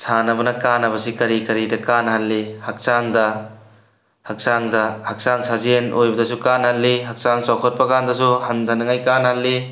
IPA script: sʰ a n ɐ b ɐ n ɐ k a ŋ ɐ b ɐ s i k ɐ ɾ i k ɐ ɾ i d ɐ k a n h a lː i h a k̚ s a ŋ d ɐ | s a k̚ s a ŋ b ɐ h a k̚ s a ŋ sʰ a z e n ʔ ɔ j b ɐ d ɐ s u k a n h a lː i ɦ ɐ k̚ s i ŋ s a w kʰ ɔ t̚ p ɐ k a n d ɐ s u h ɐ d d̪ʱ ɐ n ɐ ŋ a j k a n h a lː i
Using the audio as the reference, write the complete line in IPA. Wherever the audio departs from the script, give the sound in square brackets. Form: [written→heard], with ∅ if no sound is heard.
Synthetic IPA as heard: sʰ a n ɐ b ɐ n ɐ k a [ŋ→n] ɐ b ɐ s i k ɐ ɾ i k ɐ ɾ i d ɐ k a n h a lː i h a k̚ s a ŋ d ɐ | [s→h] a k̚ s a ŋ [b→d] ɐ h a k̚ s a ŋ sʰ a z e n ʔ [ɔ→o] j b ɐ d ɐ s u k a n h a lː i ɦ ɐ k̚ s [i→a] ŋ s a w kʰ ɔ t̚ p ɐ k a n d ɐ s u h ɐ [d→n] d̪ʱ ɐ n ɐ ŋ a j k a n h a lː i